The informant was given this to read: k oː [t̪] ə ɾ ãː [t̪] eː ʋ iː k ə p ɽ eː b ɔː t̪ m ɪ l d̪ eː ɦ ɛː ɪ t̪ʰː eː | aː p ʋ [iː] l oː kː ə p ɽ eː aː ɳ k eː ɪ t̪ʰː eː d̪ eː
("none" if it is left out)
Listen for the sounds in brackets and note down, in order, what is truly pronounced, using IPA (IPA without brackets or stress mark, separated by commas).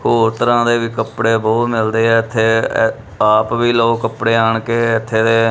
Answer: t̪, d̪, iː